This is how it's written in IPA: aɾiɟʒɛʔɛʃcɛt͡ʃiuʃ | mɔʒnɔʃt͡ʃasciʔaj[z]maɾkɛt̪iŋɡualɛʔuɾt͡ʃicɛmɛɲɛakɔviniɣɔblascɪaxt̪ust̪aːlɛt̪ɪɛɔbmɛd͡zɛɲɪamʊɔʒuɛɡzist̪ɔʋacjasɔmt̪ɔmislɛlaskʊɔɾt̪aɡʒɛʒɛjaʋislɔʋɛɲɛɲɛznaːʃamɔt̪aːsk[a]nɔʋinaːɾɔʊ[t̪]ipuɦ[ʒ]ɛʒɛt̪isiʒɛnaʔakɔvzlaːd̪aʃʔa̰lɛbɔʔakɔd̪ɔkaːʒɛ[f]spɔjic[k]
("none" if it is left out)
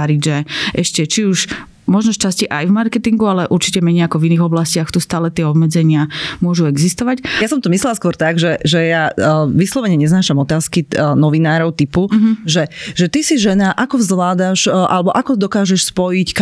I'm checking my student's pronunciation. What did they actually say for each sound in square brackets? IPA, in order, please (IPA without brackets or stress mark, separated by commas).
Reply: v, i, t̪, ʒ, ʃ, k